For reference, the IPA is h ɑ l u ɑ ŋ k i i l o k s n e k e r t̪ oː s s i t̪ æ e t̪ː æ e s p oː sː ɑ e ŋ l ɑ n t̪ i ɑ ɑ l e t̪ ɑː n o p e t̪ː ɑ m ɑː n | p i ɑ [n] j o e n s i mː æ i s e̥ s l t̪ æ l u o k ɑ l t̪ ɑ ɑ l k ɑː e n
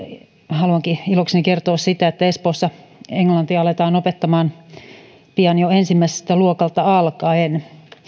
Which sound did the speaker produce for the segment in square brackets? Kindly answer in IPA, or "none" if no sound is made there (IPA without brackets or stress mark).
n